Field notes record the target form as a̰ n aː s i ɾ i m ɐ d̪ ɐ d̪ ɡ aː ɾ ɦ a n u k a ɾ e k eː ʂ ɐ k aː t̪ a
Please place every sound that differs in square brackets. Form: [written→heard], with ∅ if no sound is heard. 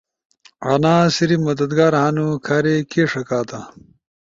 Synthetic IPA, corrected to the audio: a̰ n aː s i ɾ i m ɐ d̪ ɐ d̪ ɡ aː ɾ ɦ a n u [k→kʰ] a ɾ e k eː ʂ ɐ k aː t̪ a